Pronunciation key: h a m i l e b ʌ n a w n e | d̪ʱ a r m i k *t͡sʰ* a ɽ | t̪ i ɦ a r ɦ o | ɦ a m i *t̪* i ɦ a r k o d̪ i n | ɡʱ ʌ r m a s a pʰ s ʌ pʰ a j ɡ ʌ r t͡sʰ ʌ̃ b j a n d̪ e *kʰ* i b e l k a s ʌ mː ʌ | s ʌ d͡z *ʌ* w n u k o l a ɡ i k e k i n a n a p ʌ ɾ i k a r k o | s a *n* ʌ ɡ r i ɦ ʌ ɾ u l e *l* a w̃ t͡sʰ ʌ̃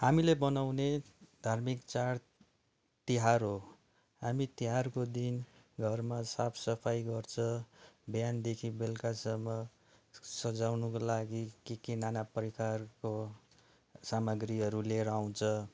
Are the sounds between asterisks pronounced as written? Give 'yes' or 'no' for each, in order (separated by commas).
no, yes, yes, no, no, no